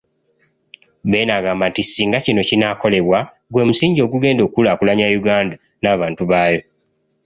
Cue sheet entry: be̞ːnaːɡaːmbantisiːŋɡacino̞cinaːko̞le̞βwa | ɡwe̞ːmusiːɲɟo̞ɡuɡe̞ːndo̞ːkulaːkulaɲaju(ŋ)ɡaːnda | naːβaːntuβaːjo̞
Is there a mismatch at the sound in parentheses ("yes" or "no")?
yes